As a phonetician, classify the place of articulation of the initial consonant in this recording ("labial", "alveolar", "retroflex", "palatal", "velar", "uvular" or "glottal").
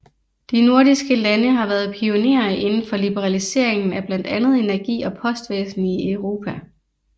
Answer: alveolar